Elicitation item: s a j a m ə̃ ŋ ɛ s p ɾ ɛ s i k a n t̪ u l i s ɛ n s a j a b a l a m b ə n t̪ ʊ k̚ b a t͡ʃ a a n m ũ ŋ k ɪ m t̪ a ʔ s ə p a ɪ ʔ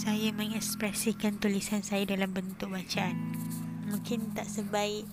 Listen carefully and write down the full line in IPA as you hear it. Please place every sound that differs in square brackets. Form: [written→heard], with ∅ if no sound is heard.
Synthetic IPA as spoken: s a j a m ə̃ ŋ ɛ s p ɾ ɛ s i k a n t̪ u l i s [ɛ→a] n s a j a [b→d] a l a m b ə n t̪ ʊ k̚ b a t͡ʃ a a n m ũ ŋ k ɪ [m→n] t̪ a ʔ s ə [p→b] a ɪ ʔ